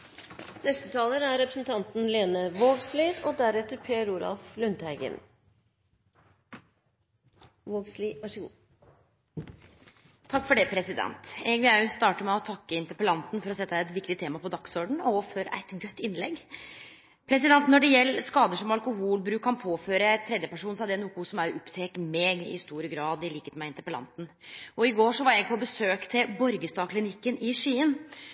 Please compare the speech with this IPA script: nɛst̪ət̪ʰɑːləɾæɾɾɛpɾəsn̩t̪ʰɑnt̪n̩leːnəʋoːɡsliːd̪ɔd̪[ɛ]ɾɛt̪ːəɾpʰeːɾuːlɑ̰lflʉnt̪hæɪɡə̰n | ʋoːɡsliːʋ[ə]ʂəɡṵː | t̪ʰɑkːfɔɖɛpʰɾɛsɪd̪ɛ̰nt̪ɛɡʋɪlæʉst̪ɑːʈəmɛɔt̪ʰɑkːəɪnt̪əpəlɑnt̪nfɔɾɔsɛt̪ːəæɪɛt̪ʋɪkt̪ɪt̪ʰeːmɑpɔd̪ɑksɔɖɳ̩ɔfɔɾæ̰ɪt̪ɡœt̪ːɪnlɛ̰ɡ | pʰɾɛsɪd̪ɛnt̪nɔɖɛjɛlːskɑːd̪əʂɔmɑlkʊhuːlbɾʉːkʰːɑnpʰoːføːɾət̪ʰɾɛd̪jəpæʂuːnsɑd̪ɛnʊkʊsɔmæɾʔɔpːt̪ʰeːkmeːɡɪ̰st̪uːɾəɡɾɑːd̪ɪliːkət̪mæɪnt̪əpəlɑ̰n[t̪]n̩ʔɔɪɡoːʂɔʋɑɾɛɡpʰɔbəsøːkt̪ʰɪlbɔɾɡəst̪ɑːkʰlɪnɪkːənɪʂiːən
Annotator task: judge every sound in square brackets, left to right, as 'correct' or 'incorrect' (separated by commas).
incorrect, incorrect, correct